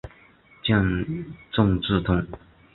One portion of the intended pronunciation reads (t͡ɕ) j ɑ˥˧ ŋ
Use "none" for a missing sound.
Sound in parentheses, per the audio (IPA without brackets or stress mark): t͡ɕ